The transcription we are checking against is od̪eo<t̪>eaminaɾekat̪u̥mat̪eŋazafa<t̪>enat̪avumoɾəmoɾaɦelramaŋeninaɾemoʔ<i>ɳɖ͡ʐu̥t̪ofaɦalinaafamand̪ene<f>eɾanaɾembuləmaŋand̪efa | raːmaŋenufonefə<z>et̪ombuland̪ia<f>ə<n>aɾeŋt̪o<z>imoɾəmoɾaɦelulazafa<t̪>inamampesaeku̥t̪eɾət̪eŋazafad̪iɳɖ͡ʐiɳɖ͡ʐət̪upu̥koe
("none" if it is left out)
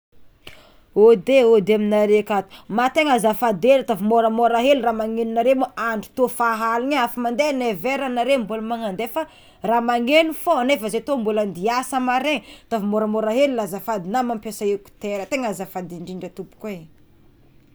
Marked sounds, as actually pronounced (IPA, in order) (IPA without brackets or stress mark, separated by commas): d̪, d̪, a, v, z, s, m, v, d̪